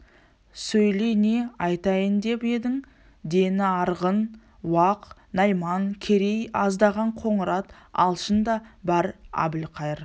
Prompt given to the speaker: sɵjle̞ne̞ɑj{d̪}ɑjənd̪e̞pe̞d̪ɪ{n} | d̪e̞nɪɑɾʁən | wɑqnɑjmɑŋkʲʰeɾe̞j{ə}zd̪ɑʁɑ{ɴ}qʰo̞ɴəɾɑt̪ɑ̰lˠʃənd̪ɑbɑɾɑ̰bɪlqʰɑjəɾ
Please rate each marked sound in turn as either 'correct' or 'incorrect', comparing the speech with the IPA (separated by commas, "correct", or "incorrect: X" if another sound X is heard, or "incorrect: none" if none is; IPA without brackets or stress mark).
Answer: incorrect: t̪, incorrect: ŋ, incorrect: ɑ, correct